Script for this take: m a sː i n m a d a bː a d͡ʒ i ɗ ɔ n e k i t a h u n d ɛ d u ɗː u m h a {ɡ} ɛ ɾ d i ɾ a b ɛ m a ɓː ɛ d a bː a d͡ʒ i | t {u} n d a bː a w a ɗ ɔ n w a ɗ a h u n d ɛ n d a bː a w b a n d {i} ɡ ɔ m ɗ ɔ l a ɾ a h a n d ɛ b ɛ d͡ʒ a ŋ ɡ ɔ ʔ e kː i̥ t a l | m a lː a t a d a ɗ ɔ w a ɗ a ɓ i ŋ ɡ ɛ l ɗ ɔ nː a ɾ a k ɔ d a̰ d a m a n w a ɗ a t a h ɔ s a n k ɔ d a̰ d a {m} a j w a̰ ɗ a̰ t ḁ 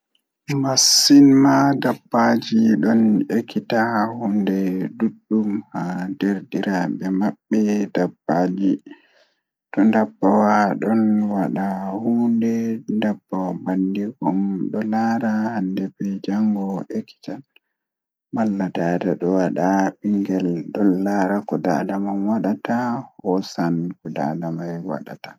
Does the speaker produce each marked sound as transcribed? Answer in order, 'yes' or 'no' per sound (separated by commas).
no, no, yes, yes